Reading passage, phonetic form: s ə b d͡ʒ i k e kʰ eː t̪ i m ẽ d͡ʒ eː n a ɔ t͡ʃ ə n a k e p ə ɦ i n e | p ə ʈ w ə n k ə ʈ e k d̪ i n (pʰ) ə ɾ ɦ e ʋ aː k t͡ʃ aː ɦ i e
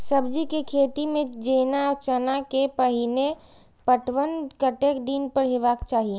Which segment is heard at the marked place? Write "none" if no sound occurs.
p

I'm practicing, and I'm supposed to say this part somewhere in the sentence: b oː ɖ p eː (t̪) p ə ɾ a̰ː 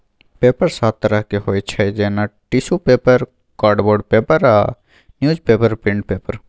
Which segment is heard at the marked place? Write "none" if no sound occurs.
none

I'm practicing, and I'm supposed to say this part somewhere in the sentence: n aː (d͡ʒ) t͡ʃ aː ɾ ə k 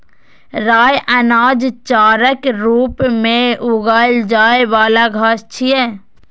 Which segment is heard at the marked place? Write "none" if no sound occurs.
d͡ʒ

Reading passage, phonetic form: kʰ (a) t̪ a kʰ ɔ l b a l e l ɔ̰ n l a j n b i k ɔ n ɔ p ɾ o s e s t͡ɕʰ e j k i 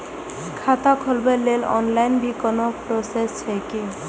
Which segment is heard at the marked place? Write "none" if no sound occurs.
a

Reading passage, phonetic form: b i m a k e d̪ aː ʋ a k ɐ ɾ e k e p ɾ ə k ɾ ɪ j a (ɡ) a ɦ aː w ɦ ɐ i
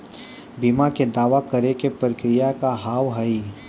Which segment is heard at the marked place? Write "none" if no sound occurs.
k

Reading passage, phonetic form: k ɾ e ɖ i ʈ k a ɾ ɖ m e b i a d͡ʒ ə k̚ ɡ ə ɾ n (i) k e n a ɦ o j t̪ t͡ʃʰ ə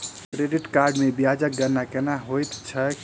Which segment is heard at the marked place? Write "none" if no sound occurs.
a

